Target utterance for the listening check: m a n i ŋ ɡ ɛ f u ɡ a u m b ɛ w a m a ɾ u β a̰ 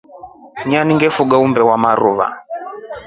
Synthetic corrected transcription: ɲ a n i ŋ ɡ ɛ f u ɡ a u m b ɛ w a m a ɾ u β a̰